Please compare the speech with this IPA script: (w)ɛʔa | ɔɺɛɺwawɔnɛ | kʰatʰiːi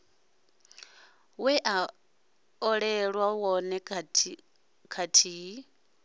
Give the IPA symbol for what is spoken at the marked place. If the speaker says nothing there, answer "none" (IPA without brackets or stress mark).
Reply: w